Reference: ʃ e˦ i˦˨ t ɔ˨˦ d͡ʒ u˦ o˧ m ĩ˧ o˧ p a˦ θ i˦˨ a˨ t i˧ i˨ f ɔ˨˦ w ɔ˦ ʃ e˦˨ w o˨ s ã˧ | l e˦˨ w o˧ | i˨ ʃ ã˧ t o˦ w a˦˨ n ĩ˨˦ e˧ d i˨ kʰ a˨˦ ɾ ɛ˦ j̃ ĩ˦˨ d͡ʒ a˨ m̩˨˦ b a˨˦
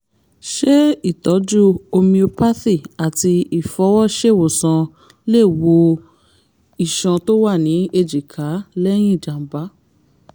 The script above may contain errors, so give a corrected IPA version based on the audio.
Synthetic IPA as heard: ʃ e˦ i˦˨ t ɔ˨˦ d͡ʒ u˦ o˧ m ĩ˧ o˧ p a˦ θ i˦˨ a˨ t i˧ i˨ f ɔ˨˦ w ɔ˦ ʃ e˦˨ w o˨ s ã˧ | l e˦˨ w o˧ | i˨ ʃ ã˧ t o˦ w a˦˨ n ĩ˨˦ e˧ d͡ʒ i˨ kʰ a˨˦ l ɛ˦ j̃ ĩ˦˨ d͡ʒ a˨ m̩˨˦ b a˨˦

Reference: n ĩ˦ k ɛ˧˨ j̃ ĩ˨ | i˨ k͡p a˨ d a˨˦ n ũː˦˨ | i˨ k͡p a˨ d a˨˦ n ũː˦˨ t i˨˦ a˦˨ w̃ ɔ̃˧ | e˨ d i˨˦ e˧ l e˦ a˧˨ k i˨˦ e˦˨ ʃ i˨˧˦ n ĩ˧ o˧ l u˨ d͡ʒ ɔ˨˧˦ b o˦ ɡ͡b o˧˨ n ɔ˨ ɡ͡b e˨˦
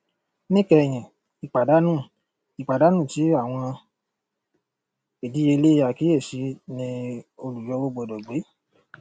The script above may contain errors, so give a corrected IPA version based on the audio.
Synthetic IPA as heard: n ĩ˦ k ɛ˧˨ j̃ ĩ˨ | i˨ k͡p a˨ d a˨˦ n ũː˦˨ | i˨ k͡p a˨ d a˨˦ n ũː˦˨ t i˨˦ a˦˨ w̃ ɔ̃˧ | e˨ d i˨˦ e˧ l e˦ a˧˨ k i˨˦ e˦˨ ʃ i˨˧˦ n ĩ˧ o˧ l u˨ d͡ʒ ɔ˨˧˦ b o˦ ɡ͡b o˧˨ d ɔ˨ ɡ͡b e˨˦

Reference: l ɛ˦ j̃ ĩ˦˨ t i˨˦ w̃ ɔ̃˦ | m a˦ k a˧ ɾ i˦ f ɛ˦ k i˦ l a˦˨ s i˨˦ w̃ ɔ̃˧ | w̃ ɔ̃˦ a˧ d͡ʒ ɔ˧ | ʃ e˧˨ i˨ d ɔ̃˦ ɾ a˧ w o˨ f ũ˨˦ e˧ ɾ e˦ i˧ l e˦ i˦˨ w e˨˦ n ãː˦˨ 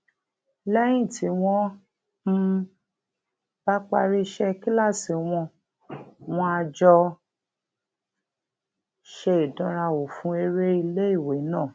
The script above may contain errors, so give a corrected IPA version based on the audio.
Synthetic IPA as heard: l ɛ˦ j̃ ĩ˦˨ t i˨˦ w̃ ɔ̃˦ | b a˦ k͡p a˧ ɾ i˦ ʃ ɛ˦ k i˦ l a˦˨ s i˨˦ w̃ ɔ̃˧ | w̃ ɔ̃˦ a˧ d͡ʒ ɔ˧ | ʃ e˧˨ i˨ d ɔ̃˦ ɾ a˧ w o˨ f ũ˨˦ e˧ ɾ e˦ i˧ l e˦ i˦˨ w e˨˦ n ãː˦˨

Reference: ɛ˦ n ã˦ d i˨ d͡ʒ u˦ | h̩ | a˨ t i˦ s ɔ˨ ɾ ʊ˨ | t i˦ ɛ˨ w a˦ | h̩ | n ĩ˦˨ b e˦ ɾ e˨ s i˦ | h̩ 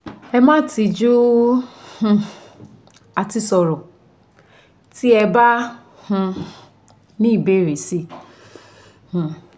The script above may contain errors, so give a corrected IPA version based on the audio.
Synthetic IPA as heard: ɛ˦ m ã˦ t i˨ d͡ʒ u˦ | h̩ | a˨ t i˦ s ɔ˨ ɾ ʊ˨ | t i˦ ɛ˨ b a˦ | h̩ | n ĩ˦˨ b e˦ ɾ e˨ s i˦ | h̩

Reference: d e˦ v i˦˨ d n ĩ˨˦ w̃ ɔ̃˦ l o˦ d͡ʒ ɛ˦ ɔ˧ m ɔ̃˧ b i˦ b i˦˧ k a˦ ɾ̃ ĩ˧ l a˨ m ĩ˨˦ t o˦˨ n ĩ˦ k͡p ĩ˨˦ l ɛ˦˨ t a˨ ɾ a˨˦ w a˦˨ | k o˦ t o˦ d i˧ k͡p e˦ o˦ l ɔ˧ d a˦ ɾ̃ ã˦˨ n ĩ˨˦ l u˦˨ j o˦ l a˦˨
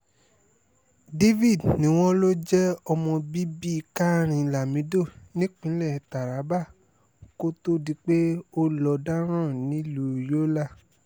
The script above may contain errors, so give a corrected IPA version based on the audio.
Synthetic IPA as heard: d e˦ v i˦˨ d n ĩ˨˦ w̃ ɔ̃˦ l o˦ d͡ʒ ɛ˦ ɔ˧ m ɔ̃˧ b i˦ b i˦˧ k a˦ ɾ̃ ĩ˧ l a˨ m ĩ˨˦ d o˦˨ n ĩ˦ k͡p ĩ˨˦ l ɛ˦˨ t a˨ ɾ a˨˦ b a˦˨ | k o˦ t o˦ d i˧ k͡p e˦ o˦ l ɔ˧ d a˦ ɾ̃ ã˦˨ n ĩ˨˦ l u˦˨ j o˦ l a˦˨

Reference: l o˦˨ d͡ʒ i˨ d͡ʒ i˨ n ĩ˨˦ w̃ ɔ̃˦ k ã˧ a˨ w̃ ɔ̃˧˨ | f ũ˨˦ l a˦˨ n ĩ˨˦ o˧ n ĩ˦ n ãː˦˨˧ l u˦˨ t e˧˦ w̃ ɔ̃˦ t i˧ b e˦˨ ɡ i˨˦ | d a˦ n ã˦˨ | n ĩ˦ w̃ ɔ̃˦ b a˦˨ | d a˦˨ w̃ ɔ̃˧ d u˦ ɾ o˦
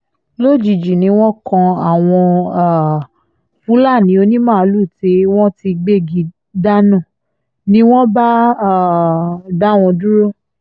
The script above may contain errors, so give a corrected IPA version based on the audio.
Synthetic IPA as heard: l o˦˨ d͡ʒ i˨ d͡ʒ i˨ n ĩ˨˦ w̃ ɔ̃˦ k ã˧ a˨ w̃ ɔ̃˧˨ | f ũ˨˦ l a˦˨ n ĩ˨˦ o˧ n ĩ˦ m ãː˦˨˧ l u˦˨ t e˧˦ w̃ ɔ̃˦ t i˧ ɡ͡b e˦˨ ɡ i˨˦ | d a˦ n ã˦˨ | n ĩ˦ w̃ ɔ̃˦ b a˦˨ | d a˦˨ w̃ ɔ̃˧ d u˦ ɾ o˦

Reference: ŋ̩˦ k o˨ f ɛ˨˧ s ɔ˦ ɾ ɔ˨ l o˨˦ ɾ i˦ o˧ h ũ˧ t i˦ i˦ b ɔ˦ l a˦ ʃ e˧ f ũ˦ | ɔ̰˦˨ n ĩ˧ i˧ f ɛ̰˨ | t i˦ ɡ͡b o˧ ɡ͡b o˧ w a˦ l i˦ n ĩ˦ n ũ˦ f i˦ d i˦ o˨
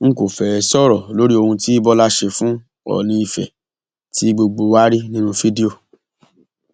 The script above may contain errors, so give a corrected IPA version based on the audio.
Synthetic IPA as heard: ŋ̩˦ k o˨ f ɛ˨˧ s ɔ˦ ɾ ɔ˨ l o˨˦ ɾ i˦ o˧ h ũ˧ t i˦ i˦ b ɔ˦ l a˦ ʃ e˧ f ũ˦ | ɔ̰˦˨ n ĩ˧ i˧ f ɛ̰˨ | t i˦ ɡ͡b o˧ ɡ͡b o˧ w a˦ ɾ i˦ n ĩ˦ n ũ˦ f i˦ d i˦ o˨

